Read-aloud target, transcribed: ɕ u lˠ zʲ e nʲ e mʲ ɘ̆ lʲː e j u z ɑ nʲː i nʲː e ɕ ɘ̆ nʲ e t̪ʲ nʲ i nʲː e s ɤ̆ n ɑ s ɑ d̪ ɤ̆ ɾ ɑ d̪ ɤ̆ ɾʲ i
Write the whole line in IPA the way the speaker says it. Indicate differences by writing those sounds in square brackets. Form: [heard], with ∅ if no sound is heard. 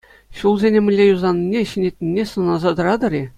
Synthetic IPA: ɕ u lˠ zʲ e nʲ e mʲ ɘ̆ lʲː e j u z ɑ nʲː i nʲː e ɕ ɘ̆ nʲ e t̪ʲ nʲ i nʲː e s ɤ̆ n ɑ [z] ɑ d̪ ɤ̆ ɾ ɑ d̪ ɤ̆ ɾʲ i